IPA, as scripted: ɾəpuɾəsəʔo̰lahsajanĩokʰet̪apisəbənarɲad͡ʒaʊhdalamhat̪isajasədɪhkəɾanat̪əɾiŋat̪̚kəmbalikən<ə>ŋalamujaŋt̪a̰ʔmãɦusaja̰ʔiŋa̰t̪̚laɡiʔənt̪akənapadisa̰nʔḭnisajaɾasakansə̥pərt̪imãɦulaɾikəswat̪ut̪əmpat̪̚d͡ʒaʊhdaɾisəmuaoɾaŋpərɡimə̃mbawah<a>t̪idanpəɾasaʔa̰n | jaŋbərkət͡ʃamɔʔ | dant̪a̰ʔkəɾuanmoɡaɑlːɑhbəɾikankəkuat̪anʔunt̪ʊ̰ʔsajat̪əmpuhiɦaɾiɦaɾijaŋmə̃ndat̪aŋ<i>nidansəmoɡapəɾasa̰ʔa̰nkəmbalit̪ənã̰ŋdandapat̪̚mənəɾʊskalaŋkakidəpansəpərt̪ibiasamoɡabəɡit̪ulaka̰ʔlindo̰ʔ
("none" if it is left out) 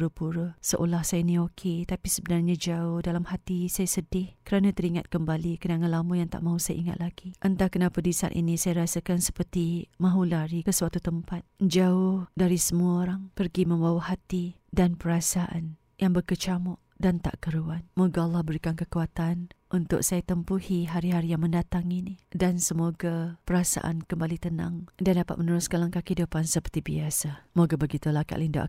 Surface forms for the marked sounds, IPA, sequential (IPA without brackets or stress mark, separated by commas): a, a, i